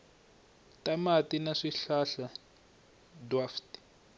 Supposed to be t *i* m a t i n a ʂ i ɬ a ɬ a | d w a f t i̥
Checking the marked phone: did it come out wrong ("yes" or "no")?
yes